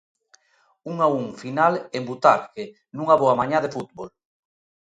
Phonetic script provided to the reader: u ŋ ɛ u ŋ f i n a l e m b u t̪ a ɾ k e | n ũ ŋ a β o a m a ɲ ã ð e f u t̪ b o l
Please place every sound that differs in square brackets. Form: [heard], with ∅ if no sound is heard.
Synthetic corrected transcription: u ŋ [a] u ŋ f i n a l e m b u t̪ a ɾ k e | n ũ ŋ a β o a m a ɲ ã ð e f u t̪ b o l